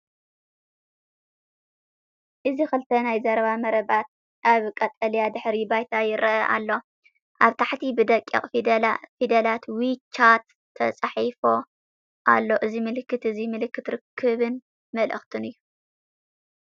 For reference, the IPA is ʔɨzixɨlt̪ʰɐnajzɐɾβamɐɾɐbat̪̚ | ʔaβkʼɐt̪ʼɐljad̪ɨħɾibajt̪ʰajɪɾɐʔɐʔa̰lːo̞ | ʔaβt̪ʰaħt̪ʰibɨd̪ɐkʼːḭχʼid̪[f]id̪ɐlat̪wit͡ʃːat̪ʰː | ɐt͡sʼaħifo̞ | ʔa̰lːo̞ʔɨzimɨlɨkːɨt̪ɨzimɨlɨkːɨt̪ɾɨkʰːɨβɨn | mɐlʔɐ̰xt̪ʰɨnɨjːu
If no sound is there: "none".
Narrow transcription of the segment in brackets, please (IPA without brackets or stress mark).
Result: f